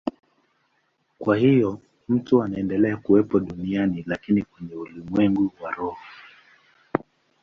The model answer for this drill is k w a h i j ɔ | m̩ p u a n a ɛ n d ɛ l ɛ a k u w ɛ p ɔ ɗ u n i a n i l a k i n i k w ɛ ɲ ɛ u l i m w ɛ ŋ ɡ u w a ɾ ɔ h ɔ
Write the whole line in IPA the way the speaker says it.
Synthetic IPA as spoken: k w a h i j ɔ | m̩ t u a n a ɛ n d ɛ l ɛ a k u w ɛ p ɔ ɗ u n i a n i l a k i n i k w ɛ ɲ ɛ u l i m w ɛ ŋ ɡ u w a ɾ ɔ h ɔ